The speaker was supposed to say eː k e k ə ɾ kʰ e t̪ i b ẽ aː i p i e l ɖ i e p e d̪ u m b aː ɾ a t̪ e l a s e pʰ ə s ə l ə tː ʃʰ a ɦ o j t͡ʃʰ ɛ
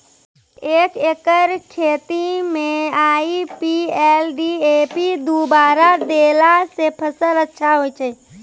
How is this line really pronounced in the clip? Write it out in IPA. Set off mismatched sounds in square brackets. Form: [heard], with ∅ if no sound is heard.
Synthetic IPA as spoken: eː k e k ə ɾ kʰ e t̪ i [m] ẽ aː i p i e l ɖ i e p [i] d̪ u [∅] b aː ɾ a [d̪] e l a s e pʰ ə s ə l ə tː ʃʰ a ɦ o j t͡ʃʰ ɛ